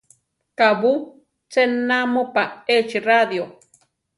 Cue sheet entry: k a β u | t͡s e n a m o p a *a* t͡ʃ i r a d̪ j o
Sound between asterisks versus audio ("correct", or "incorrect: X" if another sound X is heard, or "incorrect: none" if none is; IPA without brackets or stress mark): incorrect: e